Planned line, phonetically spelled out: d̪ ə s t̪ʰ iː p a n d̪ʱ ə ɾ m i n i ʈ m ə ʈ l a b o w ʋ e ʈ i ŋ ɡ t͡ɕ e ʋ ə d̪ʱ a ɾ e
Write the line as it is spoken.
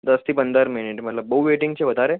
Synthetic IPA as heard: d̪ ə s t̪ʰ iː p ə n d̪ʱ ə ɾ m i n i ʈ m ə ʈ l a b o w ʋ e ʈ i ŋ ɡ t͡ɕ e ʋ ə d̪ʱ a ɾ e